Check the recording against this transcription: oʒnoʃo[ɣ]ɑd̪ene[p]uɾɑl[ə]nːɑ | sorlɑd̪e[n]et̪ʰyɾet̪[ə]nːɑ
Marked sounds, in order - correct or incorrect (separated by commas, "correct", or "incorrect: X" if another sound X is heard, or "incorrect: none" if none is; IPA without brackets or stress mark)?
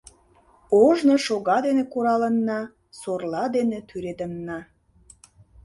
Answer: correct, incorrect: k, correct, correct, correct